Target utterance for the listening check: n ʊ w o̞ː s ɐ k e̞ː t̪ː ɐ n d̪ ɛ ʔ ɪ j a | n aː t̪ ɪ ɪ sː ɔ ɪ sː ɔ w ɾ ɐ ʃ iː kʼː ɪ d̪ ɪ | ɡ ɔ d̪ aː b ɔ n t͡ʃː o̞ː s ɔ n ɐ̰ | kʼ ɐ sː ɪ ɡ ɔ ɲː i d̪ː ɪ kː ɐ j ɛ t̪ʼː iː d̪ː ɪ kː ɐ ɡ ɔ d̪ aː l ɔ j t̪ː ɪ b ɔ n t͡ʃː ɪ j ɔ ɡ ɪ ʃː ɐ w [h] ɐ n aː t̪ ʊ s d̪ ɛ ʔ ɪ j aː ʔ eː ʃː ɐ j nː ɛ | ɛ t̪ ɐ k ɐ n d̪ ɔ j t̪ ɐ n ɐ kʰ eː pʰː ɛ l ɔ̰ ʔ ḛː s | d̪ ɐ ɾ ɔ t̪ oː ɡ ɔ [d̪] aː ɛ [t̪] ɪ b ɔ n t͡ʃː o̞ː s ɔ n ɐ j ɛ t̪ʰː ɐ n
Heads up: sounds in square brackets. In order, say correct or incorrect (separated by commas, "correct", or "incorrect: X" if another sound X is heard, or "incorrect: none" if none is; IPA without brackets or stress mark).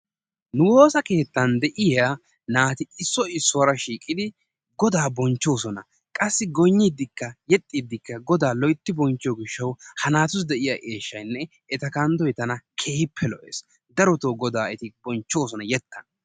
correct, correct, correct